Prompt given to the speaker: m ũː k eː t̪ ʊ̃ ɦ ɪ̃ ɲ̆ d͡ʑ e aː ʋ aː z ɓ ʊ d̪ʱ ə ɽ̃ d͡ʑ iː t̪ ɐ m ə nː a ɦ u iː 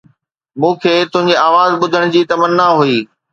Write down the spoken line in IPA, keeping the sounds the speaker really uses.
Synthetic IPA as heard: m ũː kʰ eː t̪ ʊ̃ ɦ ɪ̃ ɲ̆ d͡ʑ e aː ʋ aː z ɓ ʊ d̪ʱ ə ɽ̃ d͡ʑ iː t̪ ɐ m ə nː a ɦ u iː